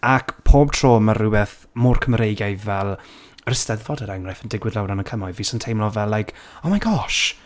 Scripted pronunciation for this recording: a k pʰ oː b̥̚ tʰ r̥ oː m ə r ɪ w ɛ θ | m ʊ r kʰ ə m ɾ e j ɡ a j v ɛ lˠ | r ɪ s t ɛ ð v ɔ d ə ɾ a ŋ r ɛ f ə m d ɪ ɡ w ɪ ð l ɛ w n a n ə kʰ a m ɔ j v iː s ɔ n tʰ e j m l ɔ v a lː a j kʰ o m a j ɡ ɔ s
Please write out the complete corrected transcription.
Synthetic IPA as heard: a k pʰ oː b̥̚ tʰ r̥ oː m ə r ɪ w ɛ θ | m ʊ r kʰ ə m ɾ e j ɡ a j v ɛ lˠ | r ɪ s t ɛ ð v ɔ d ə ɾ a ŋ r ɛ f ə n d ɪ ɡ w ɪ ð l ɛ w n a n ə kʰ ə m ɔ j v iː s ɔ n tʰ e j m l ɔ v ɛ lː a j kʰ o m a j ɡ ɔ ʃ

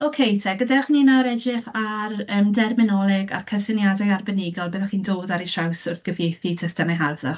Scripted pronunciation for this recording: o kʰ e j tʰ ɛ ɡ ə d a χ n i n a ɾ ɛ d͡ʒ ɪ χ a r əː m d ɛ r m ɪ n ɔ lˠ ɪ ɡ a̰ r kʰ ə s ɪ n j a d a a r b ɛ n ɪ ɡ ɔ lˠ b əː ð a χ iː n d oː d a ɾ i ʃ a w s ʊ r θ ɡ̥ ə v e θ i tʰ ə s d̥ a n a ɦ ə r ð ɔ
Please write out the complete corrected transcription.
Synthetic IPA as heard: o kʰ e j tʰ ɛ ɡ ə d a χ n i n a ɾ ɛ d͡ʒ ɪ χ a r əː m d ɛ r m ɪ n ɔ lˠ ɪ ɡ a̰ r kʰ ə s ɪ n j a d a a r b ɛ n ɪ ɡ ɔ lˠ b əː ð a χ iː n d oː d a ɾ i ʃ a w s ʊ r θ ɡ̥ ə v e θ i tʰ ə s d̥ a n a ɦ a r ð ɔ

